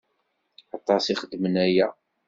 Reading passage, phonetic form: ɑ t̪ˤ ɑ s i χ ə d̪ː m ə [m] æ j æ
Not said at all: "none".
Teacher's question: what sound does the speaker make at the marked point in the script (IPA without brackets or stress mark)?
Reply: n